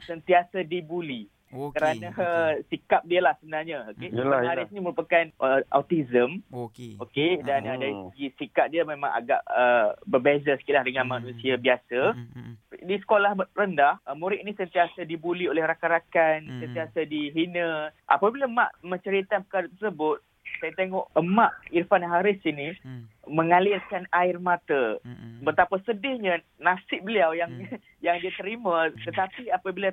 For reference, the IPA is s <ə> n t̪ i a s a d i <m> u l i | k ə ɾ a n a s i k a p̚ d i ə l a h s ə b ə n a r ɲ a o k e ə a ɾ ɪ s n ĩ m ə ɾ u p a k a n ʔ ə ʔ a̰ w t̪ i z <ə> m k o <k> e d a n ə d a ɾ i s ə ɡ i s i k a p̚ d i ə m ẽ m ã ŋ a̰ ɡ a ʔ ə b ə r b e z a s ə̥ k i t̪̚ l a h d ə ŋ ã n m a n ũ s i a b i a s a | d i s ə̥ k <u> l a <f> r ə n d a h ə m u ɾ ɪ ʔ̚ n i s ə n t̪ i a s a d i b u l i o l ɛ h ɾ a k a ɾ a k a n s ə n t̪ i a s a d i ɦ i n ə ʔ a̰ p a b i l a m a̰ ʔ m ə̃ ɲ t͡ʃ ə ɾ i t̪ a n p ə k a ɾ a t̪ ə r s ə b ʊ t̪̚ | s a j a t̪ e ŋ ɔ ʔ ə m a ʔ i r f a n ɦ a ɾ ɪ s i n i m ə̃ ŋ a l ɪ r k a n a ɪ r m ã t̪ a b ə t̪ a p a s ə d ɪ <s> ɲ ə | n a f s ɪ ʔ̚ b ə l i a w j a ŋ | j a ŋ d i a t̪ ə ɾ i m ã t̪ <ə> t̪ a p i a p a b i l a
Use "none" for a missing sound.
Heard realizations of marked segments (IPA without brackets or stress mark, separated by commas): ə, b, ə, k, o, h, h, ə